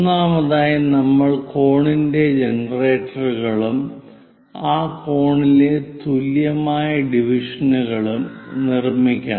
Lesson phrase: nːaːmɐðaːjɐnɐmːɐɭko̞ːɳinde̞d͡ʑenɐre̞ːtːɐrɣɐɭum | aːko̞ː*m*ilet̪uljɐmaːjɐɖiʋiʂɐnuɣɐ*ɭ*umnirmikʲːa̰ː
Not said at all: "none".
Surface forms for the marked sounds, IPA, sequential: ɳ, ɭ

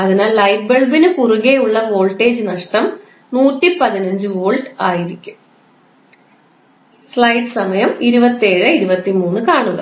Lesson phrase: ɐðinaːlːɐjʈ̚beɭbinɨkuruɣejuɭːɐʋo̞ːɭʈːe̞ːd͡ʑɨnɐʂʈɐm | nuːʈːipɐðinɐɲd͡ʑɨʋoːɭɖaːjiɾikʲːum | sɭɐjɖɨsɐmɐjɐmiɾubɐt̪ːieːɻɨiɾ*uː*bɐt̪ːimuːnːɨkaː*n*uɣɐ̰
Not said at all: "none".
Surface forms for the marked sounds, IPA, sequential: u, ɳ

